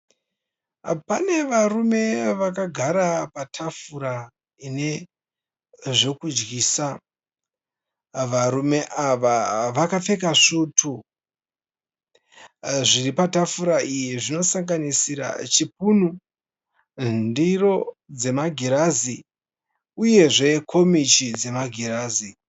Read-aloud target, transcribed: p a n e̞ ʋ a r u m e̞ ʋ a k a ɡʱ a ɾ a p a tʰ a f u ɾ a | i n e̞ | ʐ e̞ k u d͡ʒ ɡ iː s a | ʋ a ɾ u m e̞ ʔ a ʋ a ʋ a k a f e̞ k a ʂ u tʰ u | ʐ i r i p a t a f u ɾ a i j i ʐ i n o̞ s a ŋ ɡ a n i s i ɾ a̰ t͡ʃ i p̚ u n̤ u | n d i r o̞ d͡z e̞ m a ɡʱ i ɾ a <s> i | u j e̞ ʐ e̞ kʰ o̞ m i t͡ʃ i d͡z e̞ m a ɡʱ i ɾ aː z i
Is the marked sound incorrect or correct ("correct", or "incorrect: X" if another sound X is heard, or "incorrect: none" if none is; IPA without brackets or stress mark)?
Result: incorrect: z